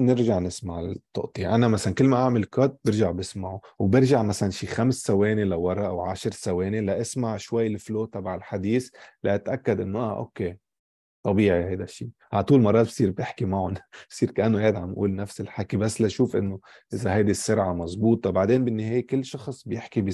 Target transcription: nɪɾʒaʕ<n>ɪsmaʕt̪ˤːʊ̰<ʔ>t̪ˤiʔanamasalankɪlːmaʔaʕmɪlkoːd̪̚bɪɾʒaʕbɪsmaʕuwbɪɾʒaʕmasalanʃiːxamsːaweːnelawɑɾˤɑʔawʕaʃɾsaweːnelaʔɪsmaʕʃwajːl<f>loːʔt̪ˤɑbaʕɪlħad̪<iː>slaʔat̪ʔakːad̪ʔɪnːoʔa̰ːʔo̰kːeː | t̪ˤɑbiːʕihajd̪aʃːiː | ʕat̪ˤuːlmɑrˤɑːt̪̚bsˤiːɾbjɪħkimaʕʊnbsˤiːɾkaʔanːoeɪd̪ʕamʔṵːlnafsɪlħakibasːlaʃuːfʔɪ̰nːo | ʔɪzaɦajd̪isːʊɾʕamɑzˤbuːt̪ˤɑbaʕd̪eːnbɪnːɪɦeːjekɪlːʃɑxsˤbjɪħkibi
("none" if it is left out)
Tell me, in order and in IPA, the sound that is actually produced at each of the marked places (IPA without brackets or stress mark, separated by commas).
n, ʔ, f, iː